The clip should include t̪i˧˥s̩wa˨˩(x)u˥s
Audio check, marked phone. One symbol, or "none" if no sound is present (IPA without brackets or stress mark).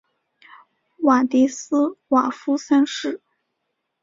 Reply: f